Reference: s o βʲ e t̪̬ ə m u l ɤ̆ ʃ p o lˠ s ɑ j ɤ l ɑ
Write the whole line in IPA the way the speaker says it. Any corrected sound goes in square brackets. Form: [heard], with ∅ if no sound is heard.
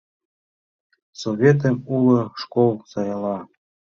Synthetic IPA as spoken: s o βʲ e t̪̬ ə m u l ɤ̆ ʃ [k] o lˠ s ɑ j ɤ l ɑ